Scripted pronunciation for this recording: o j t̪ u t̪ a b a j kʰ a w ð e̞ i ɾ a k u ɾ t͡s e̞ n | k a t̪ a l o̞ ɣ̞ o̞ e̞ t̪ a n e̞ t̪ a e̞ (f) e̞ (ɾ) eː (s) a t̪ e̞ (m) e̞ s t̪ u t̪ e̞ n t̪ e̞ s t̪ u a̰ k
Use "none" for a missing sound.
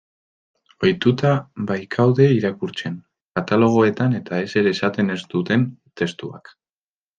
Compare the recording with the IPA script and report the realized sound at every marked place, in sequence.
s, ɾ, s, n

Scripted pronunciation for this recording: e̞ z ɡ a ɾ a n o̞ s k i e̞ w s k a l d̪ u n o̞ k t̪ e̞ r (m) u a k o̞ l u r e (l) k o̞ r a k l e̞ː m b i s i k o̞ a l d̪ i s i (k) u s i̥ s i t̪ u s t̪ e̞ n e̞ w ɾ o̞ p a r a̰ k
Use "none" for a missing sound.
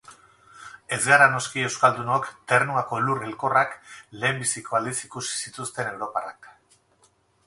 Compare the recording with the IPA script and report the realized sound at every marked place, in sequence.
n, l, k

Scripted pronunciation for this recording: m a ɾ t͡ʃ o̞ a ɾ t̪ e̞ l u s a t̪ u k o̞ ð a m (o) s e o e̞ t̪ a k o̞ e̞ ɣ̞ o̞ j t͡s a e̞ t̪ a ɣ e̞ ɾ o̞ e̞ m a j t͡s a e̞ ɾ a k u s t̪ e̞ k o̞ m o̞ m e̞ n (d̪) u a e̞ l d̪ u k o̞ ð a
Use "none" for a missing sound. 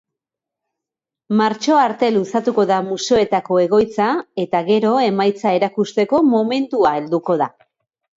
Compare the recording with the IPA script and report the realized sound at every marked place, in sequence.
u, t̪

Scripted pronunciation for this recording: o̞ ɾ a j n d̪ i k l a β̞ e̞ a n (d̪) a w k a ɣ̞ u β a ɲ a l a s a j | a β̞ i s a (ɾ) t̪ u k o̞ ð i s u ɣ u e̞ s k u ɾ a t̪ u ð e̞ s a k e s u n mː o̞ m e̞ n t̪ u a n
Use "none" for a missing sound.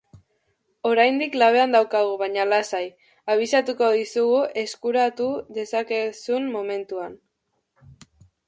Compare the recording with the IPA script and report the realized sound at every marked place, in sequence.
d̪, none

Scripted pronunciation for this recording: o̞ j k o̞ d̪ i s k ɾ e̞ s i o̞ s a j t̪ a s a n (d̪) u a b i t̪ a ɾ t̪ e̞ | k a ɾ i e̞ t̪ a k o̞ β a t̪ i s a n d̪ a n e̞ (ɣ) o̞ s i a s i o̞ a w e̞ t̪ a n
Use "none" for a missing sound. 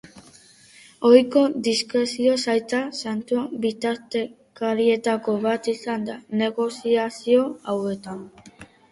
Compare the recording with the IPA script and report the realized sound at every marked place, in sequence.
t̪, ɣ

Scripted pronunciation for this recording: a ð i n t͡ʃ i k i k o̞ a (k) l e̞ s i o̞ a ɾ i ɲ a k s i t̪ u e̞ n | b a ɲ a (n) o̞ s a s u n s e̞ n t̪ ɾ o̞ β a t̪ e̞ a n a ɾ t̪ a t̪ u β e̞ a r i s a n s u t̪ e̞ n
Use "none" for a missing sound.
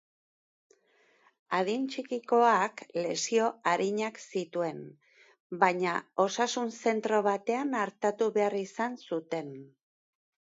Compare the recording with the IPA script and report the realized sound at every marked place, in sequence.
k, none

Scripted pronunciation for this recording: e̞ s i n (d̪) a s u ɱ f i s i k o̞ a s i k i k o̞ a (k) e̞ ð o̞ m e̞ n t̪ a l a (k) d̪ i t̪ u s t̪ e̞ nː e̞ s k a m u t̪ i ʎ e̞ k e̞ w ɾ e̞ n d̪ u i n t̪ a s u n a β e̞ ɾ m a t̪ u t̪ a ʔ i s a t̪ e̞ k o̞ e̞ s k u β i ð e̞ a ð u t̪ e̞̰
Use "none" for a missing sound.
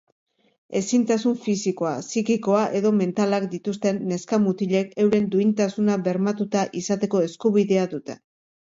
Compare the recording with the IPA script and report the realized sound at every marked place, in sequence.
t̪, ʔ, k

